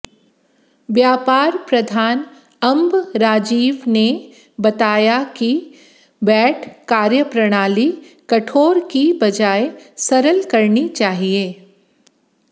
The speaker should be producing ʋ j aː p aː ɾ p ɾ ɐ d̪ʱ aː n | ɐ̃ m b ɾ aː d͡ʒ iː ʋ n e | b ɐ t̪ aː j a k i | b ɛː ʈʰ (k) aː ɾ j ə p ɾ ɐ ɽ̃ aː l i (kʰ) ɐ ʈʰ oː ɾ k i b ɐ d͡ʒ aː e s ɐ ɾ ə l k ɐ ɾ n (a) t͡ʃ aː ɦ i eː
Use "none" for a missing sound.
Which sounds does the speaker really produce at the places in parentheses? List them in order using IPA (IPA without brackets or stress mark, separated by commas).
k, k, i